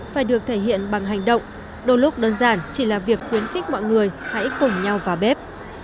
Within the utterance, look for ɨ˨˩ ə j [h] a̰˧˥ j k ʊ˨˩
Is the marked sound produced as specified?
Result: yes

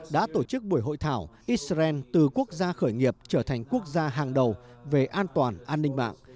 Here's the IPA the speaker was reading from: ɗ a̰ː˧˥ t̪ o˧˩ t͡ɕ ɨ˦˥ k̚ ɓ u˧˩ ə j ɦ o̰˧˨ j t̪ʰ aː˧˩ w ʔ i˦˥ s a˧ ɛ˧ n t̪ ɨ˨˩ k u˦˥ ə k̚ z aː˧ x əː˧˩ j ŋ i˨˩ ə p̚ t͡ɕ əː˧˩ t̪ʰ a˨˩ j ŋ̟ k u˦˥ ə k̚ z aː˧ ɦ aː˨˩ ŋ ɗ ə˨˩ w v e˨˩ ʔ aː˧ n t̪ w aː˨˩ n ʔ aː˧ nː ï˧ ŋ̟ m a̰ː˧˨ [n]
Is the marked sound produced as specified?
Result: no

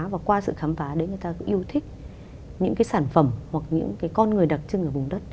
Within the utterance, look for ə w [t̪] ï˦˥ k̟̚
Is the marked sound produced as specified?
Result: no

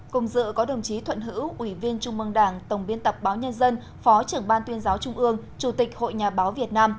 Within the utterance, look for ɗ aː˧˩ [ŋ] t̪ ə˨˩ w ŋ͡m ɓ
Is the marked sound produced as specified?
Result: yes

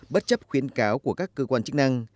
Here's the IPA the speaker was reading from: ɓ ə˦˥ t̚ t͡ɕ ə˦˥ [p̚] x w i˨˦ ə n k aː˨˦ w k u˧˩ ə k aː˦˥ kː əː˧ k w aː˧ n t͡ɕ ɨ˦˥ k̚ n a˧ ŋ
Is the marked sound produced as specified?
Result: yes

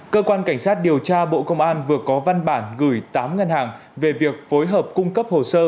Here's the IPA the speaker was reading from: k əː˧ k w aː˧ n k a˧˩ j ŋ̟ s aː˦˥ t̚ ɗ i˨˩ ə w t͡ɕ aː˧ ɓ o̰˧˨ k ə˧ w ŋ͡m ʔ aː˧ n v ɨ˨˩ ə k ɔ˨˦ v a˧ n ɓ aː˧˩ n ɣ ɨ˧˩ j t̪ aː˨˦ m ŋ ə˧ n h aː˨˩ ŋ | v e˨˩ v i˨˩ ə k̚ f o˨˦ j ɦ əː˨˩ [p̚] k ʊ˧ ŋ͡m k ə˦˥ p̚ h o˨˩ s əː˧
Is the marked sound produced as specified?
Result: yes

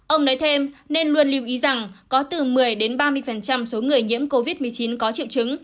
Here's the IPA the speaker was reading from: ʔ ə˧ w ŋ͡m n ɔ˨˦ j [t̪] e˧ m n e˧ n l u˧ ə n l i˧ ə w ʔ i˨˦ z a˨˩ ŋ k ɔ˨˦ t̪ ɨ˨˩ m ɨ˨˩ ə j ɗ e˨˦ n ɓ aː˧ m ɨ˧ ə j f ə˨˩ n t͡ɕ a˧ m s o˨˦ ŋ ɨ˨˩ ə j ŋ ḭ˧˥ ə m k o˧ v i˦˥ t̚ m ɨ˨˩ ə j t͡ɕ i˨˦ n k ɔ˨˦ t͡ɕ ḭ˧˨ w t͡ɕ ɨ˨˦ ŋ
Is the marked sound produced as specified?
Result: no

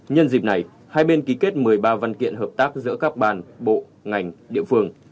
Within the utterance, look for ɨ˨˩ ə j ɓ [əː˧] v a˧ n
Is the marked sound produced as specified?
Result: no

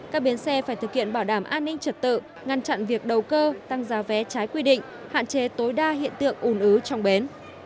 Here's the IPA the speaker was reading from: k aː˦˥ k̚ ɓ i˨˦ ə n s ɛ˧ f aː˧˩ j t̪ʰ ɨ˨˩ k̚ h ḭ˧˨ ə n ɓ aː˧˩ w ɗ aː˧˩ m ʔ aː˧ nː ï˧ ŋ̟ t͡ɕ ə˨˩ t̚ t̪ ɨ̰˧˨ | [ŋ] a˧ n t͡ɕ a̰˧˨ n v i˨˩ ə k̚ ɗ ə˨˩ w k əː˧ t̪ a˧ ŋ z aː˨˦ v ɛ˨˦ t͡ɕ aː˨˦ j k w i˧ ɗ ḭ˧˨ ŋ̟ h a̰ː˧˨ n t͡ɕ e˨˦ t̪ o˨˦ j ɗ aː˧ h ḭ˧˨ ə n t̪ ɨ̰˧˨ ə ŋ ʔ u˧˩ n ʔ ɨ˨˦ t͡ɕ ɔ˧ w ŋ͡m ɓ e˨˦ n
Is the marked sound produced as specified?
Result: yes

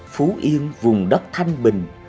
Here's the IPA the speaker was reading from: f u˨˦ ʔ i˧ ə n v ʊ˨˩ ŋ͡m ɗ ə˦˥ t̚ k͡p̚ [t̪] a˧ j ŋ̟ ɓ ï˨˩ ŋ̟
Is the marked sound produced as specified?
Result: no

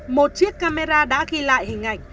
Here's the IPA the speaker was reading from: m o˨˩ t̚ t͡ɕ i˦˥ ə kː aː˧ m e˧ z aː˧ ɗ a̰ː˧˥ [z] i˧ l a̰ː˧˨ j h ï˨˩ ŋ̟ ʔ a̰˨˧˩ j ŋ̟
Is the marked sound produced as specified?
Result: no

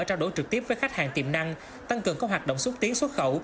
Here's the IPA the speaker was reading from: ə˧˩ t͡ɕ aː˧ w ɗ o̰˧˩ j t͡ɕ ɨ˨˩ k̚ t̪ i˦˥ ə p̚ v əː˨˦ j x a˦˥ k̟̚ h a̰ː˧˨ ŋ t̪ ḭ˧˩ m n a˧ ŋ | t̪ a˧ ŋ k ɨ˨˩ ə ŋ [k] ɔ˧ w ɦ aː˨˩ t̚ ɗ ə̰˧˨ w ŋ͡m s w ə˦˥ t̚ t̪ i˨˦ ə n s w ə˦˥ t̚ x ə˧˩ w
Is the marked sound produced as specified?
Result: yes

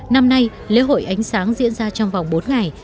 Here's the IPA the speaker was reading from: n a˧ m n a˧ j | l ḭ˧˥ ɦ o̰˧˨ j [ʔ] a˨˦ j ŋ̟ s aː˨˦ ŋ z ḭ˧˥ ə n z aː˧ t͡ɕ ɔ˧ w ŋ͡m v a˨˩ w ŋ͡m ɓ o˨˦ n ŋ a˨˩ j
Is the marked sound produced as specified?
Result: yes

